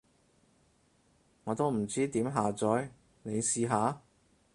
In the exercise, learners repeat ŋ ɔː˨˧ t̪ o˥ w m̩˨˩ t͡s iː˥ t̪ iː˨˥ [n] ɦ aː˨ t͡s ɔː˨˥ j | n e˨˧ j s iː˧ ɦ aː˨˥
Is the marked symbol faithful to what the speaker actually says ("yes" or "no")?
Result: no